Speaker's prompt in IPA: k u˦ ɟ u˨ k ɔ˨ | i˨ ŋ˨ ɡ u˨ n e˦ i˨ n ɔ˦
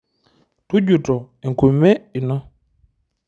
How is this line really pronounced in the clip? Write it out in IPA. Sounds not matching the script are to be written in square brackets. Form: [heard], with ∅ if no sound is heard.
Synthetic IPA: [t] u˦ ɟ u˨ [t] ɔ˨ | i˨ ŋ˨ [k] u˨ [m] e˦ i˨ n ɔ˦